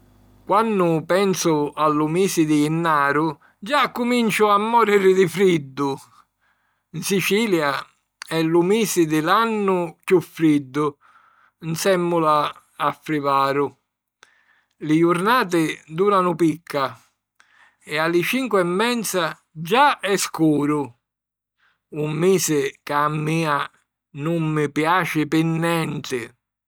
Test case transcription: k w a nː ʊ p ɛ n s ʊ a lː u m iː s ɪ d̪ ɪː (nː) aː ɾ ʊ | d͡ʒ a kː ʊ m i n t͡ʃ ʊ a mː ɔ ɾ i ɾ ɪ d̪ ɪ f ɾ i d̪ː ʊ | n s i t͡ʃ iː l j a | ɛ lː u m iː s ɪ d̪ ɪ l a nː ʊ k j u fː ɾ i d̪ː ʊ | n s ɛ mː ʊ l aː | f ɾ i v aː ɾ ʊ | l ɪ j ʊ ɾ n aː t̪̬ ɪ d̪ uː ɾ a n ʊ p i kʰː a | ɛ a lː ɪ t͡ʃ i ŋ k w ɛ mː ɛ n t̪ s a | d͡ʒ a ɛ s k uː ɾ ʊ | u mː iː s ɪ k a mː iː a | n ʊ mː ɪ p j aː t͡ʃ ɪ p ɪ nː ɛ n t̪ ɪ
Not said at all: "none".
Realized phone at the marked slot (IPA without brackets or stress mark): nː